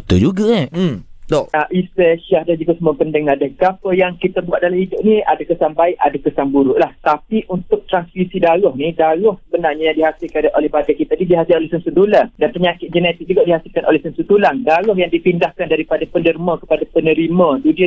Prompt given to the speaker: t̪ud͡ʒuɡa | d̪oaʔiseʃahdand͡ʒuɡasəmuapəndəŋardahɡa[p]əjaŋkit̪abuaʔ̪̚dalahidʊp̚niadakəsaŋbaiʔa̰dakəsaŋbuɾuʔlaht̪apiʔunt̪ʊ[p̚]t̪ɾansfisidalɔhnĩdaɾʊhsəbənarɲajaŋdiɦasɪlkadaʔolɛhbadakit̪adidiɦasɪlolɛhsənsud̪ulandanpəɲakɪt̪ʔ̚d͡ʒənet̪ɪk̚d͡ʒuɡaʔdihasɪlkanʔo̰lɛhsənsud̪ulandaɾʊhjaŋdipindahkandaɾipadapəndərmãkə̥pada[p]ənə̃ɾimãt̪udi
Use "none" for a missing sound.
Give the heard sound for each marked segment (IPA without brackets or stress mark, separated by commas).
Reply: p, k̚, p